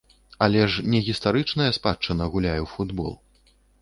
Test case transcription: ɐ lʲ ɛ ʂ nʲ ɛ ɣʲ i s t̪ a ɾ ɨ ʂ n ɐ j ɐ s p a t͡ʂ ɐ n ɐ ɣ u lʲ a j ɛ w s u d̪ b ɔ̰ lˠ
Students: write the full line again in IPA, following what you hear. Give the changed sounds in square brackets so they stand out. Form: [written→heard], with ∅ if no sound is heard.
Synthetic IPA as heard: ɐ lʲ ɛ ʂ nʲ ɛ ɣʲ i s t̪ a ɾ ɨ [ʂ→t͡ʂ] n ɐ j ɐ s p a t͡ʂ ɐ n ɐ ɣ u lʲ a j ɛ w [s→f] u d̪ b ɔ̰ lˠ